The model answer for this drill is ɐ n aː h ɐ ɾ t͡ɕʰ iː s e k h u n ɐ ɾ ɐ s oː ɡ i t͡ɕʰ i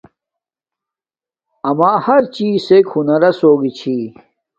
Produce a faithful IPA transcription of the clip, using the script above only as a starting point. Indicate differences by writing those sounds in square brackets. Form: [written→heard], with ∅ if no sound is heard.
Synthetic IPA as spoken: ɐ [n→m] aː h ɐ ɾ [t͡ɕʰ→t͡ɕ] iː s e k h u n ɐ ɾ ɐ s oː ɡ i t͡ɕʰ i